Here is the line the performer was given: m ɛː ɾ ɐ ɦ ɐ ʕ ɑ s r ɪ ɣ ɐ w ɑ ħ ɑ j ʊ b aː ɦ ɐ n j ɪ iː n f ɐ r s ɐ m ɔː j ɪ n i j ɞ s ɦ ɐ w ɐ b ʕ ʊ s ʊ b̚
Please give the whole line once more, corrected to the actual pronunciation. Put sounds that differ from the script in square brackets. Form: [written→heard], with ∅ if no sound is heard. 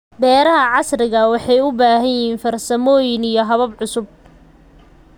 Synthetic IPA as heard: [m→b] ɛː ɾ ɐ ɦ ɐ ʕ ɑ s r ɪ ɣ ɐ w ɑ ħ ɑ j ʊ b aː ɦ ɐ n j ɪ iː n f ɐ r s ɐ m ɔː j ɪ n i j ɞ [s→∅] ɦ ɐ [w→β] ɐ b ʕ ʊ s ʊ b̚